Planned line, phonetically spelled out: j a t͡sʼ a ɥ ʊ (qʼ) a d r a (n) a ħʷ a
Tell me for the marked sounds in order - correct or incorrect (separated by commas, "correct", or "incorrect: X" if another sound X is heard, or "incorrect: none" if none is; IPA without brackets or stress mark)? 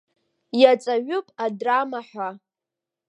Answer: incorrect: pʼ, incorrect: m